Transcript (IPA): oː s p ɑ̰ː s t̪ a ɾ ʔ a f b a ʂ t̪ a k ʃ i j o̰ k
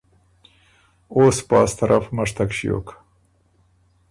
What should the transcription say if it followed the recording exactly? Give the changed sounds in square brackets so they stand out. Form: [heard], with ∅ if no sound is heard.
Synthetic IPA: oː s p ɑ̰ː s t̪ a ɾ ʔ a f [m] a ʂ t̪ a k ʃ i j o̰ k